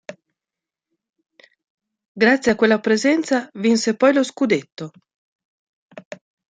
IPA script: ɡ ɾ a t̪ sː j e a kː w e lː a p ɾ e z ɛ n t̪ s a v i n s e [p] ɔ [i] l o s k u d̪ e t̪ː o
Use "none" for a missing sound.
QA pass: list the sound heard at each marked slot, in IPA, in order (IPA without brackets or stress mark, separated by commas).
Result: p, j